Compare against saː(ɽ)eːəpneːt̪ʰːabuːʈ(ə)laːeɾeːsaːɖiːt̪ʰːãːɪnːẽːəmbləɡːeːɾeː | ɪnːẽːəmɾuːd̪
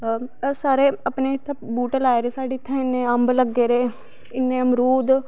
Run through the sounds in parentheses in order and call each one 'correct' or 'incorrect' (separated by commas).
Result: incorrect, correct